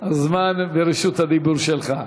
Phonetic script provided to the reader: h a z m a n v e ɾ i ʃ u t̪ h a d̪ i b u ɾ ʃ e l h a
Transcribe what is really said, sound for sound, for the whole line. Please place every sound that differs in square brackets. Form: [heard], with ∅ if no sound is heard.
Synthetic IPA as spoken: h a z m a n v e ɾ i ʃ u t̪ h a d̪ i b u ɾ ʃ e l [χ] a